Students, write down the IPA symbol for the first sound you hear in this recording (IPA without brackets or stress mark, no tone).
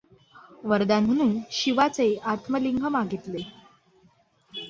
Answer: ʋ